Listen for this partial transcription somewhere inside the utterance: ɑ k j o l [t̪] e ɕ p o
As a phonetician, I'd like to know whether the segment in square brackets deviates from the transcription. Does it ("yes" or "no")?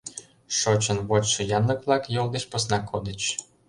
yes